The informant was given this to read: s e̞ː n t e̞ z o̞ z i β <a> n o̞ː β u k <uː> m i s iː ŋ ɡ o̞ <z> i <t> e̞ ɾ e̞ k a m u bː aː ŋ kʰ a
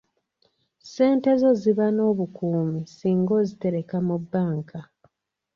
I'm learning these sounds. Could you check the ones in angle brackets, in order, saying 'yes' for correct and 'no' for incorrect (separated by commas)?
yes, yes, yes, yes